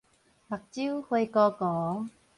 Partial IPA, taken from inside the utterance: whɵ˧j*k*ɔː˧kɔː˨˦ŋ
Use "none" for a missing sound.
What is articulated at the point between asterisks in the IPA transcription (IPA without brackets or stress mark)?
k